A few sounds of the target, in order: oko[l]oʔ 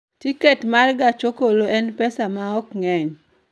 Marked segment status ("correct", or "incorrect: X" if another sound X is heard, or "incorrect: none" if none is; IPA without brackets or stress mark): correct